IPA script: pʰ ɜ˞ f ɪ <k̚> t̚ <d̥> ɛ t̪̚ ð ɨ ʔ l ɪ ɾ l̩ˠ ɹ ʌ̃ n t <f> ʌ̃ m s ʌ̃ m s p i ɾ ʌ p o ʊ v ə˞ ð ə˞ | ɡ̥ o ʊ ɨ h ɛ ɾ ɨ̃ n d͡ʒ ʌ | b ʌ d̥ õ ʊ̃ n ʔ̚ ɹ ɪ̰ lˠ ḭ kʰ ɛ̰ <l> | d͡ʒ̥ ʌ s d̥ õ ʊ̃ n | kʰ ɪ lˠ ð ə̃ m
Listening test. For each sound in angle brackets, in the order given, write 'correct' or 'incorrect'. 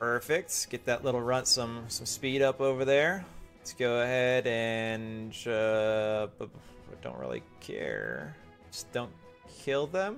correct, incorrect, incorrect, incorrect

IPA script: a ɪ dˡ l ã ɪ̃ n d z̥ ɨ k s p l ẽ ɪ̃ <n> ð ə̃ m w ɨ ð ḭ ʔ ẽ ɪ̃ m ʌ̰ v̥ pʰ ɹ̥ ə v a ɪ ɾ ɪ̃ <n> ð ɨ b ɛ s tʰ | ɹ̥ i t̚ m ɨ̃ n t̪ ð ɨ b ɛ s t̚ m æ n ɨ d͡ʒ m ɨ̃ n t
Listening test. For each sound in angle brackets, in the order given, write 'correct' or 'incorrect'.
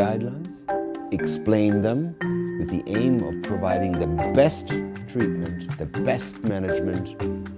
correct, incorrect

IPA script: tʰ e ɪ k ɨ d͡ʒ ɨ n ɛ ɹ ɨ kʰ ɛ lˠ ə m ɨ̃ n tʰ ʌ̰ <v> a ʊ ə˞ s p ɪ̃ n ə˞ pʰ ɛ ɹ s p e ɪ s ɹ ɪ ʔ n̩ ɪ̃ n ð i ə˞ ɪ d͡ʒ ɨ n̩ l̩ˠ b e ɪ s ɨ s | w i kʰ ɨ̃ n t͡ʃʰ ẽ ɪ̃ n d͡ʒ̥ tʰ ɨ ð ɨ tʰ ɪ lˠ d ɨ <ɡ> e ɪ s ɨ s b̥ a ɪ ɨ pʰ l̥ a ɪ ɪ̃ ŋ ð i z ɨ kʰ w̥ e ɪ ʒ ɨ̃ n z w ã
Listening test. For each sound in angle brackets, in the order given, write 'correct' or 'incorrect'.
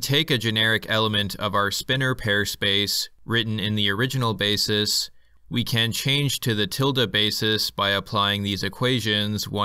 correct, incorrect

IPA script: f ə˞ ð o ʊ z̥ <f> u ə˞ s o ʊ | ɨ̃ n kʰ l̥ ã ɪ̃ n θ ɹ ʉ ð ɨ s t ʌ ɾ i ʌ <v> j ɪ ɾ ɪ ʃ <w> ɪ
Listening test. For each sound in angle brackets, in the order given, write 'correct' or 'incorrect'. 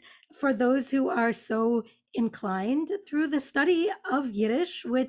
incorrect, correct, correct

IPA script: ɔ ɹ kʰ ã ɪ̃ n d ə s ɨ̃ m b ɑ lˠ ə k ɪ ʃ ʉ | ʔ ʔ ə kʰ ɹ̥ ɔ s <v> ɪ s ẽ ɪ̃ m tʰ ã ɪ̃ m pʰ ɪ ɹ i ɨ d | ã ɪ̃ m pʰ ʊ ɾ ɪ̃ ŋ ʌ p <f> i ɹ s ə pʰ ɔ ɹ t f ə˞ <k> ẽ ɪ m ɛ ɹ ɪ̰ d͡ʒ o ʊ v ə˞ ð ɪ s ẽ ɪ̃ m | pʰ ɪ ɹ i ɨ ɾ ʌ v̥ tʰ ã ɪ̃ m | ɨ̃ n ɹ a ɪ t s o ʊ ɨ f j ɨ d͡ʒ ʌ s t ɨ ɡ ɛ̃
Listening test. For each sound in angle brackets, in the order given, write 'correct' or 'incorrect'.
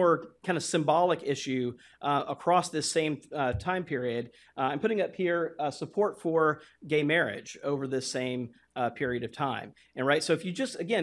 incorrect, incorrect, incorrect

